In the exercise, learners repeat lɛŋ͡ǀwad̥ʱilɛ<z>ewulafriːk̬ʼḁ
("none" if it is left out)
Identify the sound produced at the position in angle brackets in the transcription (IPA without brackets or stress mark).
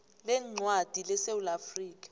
s